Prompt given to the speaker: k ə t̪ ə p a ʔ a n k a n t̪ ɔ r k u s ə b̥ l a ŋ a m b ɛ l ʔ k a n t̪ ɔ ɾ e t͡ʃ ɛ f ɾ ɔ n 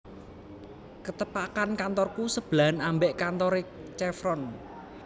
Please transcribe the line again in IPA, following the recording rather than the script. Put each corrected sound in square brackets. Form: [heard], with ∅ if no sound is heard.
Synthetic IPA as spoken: k ə t̪ ə p a [k] a n k a n t̪ ɔ r k u s ə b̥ l a [n] a m b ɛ [∅] ʔ k a n t̪ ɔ ɾ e t͡ʃ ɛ f ɾ ɔ n